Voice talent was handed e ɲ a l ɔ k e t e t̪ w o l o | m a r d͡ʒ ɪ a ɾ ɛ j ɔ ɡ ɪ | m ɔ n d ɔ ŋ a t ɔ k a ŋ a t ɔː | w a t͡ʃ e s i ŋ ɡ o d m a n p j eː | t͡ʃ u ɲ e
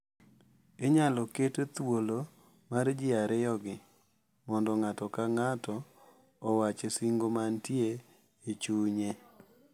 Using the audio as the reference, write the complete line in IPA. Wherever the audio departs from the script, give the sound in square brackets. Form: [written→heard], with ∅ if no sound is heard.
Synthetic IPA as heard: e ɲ a l ɔ k e t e t̪ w o l o | m a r d͡ʒ ɪ a ɾ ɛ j ɔ ɡ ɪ | m ɔ n d ɔ ŋ a t ɔ k a ŋ a t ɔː | w a t͡ʃ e s i ŋ ɡ o [d→∅] m a n [p→t] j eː | t͡ʃ u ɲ e